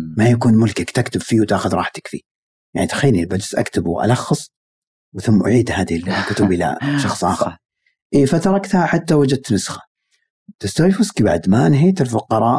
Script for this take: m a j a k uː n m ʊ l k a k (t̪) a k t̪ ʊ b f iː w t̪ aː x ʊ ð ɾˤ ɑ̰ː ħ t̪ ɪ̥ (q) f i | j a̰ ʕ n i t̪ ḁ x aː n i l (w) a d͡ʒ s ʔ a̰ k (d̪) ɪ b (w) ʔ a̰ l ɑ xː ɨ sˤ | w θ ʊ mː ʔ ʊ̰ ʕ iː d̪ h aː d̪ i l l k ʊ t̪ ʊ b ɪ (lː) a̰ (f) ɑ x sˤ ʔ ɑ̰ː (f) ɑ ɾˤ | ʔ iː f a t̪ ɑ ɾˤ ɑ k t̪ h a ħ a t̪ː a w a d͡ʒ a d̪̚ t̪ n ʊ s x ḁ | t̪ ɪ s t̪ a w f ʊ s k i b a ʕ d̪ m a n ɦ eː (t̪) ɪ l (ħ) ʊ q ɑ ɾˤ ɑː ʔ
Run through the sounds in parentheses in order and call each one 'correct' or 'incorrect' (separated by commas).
correct, incorrect, incorrect, incorrect, correct, incorrect, incorrect, incorrect, correct, incorrect